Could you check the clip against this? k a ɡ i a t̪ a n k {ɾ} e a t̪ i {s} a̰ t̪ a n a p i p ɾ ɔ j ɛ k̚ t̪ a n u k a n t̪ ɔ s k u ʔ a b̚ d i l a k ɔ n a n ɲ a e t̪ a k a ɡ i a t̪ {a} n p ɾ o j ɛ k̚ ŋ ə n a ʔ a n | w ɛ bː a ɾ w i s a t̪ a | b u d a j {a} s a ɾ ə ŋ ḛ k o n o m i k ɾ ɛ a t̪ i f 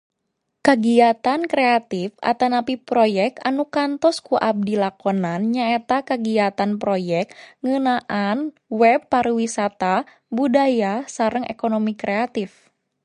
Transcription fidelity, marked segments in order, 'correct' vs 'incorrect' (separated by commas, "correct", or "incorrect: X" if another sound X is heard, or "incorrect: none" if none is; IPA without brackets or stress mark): correct, incorrect: f, correct, correct